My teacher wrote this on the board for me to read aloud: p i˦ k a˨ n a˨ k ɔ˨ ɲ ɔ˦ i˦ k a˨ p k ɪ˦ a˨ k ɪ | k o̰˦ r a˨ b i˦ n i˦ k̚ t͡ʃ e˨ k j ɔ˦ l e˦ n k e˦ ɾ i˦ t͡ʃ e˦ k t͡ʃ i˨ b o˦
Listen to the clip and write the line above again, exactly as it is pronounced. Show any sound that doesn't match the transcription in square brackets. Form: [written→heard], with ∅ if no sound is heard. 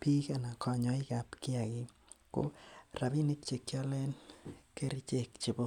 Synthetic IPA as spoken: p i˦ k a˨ n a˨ k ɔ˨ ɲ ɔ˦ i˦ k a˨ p k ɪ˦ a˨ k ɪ | k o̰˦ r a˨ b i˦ n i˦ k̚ t͡ʃ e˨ k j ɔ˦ l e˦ n k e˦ ɾ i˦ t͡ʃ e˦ k t͡ʃ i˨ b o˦